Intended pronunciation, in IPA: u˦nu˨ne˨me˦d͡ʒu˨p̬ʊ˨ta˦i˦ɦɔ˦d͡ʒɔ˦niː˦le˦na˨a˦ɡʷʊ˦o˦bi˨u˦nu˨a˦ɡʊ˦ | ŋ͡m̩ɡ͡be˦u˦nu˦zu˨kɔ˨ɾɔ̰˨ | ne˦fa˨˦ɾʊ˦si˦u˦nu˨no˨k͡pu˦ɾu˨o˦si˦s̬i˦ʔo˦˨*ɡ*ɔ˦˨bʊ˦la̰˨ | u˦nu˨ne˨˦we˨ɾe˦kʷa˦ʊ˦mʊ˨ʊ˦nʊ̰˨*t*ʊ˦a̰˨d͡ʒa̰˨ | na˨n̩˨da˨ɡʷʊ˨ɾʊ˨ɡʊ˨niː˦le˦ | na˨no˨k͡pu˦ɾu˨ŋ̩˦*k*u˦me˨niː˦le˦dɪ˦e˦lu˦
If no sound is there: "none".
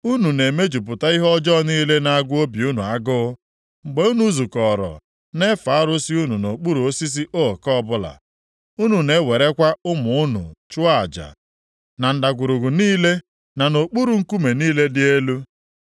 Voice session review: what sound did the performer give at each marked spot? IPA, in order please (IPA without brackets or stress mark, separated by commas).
k, t͡ʃ, k